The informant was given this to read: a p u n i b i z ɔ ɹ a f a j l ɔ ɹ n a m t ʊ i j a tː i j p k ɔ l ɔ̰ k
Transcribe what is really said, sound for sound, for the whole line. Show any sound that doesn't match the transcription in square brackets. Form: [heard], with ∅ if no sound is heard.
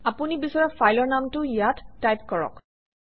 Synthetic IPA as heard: a p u n i b i [s] ɔ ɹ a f a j l ɔ ɹ n a m t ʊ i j a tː [a] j p k ɔ [ɹ] ɔ̰ k